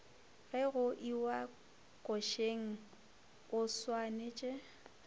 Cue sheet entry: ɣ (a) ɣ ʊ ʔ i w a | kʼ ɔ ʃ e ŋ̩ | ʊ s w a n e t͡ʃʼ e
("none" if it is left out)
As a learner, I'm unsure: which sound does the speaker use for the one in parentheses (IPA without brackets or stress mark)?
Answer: ɛ